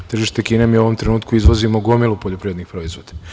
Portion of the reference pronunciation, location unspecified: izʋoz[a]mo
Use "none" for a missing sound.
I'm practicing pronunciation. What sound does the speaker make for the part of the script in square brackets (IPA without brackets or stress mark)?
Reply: i